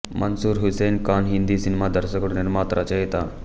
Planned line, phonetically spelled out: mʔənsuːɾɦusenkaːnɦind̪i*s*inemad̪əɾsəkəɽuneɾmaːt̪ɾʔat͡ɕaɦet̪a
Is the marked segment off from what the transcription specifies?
no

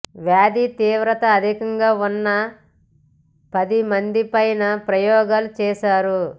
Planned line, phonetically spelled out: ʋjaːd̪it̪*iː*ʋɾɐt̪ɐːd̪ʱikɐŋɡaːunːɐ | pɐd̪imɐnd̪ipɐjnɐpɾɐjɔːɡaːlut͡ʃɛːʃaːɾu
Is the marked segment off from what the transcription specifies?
no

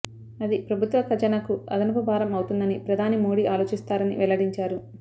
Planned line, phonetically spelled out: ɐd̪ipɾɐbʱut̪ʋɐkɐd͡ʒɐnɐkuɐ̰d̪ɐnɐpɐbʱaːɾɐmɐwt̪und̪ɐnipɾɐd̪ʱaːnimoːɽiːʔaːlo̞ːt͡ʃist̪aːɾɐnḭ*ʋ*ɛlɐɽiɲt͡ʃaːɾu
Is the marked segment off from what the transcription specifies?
no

